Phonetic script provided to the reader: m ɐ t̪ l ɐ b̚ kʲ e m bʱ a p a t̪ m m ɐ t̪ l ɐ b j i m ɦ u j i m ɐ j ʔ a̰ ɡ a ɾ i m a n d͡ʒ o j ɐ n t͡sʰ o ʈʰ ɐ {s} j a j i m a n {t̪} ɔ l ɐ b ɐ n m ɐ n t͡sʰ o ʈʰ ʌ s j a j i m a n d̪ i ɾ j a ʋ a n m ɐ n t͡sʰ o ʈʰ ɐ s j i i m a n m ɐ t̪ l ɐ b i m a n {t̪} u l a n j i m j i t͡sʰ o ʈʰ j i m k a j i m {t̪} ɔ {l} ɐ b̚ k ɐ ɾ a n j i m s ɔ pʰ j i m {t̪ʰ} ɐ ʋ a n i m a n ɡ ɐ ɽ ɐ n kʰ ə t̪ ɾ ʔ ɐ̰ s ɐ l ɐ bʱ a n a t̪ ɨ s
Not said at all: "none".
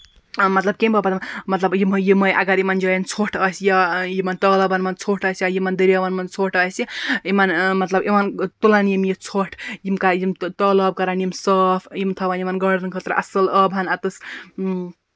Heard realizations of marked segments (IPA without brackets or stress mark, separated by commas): s, t̪, t̪, t̪, l, t̪ʰ